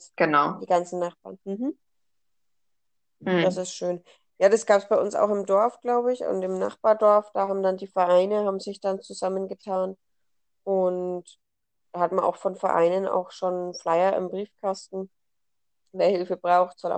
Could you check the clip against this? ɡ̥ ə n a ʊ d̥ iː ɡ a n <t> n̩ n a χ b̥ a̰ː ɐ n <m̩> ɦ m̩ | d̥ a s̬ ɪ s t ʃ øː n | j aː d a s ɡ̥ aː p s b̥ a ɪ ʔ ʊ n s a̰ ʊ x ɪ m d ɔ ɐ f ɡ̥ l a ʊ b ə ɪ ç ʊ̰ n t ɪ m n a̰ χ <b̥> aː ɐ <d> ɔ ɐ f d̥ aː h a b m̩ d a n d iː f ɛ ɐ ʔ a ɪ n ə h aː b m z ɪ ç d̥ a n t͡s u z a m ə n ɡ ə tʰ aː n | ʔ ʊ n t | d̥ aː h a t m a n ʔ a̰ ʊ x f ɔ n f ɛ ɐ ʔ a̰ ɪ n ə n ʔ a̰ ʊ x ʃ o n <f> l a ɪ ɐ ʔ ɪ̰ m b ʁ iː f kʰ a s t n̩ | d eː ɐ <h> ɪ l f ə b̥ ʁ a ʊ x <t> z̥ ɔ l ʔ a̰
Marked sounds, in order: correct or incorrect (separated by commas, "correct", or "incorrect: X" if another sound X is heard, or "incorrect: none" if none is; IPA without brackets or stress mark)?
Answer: incorrect: t͡s, correct, correct, correct, correct, correct, correct